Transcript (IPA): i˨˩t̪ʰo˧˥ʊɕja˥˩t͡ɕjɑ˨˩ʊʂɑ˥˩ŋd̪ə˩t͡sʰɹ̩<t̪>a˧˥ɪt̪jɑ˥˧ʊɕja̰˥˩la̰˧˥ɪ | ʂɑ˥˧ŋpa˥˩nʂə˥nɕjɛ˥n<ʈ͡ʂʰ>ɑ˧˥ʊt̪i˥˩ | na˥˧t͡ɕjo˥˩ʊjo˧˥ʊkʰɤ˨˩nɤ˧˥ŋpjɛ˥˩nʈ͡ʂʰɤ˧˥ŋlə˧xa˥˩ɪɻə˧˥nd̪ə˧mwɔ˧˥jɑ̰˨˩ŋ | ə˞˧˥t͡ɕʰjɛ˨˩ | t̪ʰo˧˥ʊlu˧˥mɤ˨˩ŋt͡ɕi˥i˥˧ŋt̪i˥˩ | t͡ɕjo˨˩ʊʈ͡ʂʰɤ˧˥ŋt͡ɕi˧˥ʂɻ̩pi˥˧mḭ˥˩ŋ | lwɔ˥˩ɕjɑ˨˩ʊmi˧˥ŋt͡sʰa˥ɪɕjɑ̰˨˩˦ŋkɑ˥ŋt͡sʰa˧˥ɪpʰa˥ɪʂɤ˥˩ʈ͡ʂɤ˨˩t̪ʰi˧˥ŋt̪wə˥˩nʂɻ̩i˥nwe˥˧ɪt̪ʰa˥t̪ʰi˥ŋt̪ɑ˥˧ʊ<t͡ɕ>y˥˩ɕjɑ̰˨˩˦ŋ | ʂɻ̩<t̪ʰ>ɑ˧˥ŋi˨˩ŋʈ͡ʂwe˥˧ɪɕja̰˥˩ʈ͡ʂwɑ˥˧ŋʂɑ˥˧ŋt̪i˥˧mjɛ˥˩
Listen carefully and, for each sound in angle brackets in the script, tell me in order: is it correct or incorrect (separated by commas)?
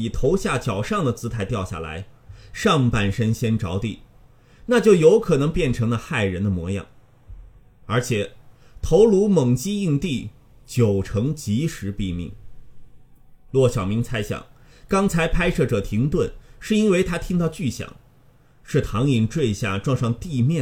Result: incorrect, incorrect, correct, correct